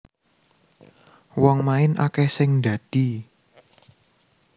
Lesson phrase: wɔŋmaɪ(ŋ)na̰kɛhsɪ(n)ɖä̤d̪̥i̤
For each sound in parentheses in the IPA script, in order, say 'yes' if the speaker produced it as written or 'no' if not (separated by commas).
no, no